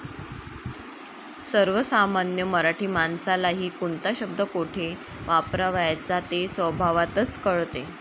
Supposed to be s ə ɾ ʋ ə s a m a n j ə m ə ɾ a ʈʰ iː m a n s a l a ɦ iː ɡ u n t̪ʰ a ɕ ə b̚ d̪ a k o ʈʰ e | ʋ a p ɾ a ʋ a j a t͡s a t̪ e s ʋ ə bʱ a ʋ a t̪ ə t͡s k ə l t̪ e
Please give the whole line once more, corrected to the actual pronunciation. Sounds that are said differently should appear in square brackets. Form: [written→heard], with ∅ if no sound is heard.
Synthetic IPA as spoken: s ə ɾ ʋ ə s a m a n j ə m ə ɾ a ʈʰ iː m a n s a l a ɦ iː [ɡ→k] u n [t̪ʰ→t̪] a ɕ ə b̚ d̪ [a→ə] k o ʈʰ e | ʋ a p ɾ a ʋ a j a t͡s a t̪ e s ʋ ə bʱ a ʋ a t̪ ə t͡s k ə [l→ɭ] t̪ e